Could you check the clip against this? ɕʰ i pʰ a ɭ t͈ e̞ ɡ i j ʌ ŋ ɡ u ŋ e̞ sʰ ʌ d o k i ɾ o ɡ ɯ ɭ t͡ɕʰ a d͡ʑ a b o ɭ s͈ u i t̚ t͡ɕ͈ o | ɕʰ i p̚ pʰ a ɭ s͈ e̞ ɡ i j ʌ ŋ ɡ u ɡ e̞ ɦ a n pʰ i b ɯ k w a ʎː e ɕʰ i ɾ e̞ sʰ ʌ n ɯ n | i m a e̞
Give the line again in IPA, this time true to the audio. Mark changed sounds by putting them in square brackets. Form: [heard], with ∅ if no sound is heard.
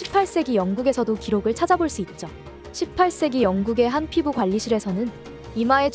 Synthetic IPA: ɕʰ i pʰ a ɭ [s͈] e̞ ɡ i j ʌ ŋ ɡ u [ɡ] e̞ sʰ ʌ d o k i ɾ o ɡ ɯ ɭ t͡ɕʰ a d͡ʑ a b o ɭ s͈ u i t̚ t͡ɕ͈ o | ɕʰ i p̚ pʰ a ɭ s͈ e̞ ɡ i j ʌ ŋ ɡ u ɡ e̞ ɦ a n pʰ i b [u] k w a ʎː [i] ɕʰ i ɾ e̞ sʰ ʌ n ɯ n | i m a e̞